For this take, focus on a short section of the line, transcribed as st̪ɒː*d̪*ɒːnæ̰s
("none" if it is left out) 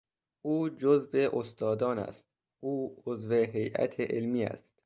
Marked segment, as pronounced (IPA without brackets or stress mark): d̪